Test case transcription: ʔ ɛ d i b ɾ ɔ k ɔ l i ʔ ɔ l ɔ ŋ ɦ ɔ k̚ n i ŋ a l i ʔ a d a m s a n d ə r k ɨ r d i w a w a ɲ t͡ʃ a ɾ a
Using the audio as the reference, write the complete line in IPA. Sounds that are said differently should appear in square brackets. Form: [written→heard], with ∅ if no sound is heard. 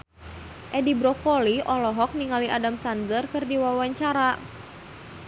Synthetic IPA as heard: ʔ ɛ d i b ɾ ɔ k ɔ l i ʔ ɔ l ɔ [ŋ→∅] ɦ ɔ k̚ n i ŋ a l i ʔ a d a m s a n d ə r k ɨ r d i w a w a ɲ t͡ʃ a ɾ a